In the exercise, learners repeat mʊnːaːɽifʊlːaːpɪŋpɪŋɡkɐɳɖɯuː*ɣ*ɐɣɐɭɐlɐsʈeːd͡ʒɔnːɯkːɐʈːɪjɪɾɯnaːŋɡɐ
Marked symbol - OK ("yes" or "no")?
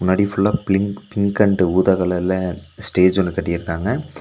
no